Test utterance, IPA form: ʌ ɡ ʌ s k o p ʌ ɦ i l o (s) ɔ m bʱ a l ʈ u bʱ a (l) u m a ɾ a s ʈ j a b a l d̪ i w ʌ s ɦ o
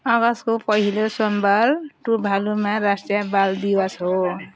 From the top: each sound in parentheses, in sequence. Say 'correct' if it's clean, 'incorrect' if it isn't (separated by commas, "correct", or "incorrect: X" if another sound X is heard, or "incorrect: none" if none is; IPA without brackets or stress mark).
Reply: correct, correct